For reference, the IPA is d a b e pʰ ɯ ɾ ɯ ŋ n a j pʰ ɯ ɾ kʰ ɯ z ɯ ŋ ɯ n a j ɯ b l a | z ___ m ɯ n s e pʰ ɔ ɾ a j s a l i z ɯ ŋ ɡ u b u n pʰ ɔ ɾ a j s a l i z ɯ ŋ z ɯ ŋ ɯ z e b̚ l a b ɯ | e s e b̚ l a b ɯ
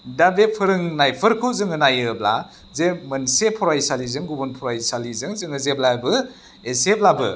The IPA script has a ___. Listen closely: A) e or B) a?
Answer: A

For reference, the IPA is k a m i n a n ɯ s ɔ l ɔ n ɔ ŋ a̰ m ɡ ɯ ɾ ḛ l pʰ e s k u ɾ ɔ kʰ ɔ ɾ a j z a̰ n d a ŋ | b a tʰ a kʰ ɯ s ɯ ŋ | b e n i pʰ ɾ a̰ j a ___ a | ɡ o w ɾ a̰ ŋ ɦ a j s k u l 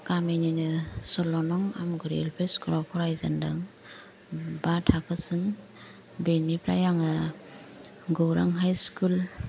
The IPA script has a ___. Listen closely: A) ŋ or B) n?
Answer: A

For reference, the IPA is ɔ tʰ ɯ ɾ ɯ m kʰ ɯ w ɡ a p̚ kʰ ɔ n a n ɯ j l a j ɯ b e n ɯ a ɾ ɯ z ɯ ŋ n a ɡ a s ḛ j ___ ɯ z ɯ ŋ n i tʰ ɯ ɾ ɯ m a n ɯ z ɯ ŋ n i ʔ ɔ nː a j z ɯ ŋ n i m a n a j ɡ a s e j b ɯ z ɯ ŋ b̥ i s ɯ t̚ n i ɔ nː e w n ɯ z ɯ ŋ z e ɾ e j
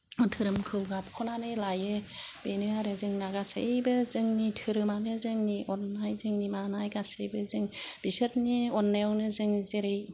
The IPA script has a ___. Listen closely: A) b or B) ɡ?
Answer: A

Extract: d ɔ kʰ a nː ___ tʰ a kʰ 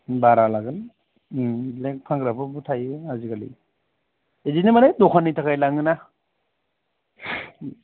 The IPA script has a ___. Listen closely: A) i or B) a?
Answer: A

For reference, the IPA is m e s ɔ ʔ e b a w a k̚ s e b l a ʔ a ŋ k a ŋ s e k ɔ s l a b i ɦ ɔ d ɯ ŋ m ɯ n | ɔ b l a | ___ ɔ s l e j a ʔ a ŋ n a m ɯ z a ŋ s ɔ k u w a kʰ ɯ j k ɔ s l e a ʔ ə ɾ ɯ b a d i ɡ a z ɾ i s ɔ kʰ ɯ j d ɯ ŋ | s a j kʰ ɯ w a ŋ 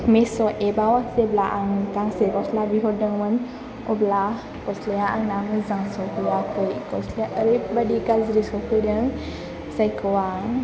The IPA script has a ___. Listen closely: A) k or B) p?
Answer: A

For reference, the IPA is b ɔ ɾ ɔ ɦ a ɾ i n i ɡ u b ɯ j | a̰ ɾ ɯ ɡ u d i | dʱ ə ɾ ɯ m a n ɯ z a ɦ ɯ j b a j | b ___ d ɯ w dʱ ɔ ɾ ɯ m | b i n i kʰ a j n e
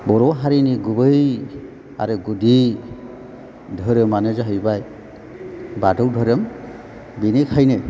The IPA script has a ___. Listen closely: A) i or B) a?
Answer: B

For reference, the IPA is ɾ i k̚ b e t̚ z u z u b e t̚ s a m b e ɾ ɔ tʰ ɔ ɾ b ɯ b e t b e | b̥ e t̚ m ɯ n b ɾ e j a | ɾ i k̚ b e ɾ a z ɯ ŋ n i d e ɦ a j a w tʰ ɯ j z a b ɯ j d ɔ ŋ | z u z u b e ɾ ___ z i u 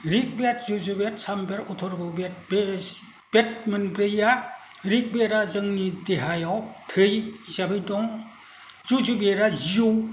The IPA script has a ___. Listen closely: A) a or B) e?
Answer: A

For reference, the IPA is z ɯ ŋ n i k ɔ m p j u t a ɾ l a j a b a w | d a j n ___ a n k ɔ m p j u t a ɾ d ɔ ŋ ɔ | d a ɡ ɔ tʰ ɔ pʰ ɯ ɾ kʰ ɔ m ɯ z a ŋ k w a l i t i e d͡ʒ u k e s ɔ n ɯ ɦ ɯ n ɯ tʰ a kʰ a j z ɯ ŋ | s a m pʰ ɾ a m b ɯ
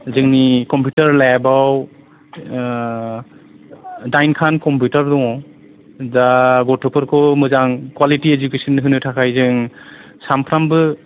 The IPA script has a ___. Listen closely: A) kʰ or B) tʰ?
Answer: A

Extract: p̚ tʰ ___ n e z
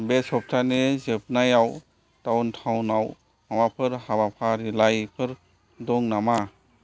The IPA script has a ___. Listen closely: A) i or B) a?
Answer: B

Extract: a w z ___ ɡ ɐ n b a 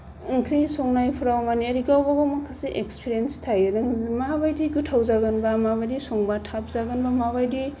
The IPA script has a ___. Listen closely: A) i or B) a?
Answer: B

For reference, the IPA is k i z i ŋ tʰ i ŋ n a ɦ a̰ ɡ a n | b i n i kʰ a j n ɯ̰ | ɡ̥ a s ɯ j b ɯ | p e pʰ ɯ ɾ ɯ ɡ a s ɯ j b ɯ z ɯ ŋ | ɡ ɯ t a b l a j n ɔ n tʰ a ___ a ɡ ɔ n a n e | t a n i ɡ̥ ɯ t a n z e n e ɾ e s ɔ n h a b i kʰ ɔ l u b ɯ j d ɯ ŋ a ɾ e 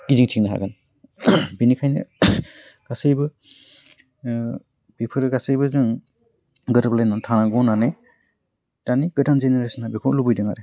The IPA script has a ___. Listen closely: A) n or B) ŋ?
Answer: A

